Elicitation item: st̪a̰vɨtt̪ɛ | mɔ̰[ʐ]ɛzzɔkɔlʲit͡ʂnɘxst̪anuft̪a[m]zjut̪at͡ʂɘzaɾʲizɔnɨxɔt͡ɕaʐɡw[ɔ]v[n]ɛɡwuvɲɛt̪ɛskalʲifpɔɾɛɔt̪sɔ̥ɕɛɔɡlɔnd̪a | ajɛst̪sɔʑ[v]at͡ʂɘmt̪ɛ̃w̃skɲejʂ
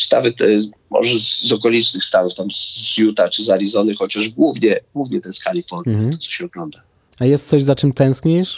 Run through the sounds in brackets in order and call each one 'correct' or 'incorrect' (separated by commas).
correct, correct, incorrect, incorrect, incorrect